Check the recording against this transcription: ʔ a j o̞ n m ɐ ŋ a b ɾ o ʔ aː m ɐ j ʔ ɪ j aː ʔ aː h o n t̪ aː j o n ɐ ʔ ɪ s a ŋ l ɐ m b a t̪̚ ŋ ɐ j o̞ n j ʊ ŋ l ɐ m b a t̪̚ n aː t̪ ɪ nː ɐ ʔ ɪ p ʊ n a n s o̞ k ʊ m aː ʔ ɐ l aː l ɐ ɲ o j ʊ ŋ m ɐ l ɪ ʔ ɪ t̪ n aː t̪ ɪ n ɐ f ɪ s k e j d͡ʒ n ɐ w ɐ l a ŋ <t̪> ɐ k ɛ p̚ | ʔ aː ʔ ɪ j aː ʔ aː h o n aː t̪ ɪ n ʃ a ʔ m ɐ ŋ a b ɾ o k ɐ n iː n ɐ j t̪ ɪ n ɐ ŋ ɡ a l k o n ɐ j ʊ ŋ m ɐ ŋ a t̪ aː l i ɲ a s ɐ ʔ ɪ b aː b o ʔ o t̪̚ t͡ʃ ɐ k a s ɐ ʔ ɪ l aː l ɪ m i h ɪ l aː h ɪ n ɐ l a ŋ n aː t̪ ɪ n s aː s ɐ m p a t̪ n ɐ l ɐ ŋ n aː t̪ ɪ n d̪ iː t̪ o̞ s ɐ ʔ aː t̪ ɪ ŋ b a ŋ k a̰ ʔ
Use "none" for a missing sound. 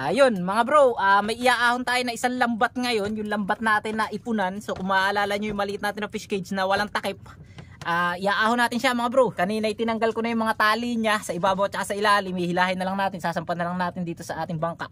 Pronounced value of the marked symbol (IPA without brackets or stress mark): t̪